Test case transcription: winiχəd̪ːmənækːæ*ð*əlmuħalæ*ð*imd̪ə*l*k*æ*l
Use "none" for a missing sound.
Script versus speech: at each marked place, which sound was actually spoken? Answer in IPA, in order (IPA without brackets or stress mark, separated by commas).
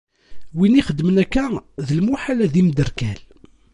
ð, ð, ɾ, æ